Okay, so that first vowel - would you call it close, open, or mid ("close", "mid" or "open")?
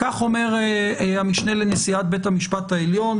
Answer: open